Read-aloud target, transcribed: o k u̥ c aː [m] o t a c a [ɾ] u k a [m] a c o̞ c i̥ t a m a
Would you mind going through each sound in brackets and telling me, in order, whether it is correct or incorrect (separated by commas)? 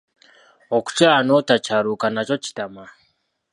incorrect, correct, incorrect